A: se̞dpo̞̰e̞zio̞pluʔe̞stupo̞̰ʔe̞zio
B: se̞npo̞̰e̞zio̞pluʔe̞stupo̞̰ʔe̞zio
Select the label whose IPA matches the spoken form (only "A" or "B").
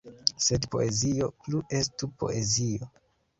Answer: A